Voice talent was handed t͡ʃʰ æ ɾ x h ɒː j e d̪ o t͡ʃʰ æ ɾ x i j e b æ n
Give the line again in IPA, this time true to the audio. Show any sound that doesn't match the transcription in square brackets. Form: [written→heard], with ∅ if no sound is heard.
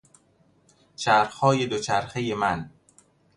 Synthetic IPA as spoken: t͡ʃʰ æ ɾ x h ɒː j e d̪ o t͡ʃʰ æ ɾ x [i→e] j e [b→m] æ n